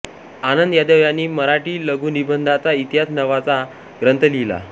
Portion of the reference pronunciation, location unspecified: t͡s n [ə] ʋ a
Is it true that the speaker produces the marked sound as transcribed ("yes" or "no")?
yes